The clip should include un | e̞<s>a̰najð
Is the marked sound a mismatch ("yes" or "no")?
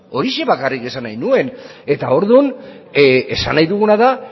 no